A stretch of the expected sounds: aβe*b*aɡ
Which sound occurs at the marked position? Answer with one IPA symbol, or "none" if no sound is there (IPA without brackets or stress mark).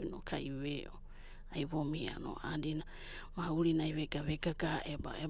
ɡ